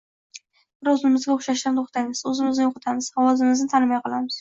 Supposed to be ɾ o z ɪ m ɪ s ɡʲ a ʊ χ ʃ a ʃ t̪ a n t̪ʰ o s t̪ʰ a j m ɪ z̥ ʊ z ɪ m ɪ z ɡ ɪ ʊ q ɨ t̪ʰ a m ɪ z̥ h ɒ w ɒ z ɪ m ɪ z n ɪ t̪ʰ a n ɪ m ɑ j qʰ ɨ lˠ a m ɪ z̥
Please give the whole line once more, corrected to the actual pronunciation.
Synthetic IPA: ɾ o z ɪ m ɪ z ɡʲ a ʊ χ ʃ a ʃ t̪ a n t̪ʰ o χ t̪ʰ a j m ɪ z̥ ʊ z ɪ m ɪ z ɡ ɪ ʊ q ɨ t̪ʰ a m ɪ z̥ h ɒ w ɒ z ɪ m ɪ z n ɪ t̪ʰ a n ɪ m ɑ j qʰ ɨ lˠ a m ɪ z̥